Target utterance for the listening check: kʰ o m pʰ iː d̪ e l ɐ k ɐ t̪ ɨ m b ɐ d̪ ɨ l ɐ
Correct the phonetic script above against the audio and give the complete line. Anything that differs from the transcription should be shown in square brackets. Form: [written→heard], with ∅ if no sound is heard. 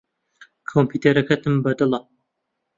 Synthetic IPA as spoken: kʰ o m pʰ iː [d̪→t̪] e [l→ɾ] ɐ k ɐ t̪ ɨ m b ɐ d̪ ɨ l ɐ